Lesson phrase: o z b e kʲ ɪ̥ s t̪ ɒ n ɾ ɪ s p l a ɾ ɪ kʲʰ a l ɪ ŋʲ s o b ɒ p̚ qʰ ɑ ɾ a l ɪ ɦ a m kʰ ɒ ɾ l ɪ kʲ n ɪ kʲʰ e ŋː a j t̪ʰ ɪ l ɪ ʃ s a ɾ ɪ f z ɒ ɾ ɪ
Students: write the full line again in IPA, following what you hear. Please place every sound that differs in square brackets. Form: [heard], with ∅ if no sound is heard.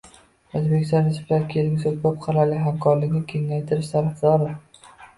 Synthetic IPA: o z b e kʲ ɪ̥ s t̪ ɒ n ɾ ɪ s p l a ɾ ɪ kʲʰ [e] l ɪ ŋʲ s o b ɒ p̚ qʰ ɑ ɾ a l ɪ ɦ a m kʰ ɒ ɾ l ɪ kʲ n ɪ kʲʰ e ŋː a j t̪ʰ ɪ [ɾ] ɪ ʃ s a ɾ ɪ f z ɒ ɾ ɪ